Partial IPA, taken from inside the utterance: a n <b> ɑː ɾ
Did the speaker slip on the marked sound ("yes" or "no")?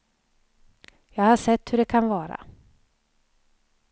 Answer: yes